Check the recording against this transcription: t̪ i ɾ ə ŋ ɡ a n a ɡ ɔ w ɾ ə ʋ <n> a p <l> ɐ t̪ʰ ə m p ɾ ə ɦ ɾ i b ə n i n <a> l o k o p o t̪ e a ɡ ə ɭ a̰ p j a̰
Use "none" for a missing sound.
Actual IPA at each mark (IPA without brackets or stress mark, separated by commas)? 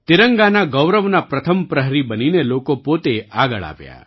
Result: n, ɾ, e